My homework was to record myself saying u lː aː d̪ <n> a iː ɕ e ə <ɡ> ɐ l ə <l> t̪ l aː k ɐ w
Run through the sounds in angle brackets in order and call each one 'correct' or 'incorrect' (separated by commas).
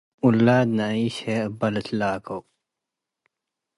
correct, incorrect, incorrect